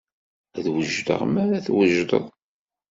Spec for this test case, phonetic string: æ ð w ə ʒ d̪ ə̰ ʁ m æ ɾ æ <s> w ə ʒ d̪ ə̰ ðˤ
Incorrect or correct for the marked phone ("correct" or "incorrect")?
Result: incorrect